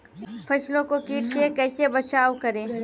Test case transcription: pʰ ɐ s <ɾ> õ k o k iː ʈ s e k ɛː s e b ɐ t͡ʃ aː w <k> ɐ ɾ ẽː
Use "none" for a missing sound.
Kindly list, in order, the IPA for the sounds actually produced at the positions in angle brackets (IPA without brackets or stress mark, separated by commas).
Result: l, k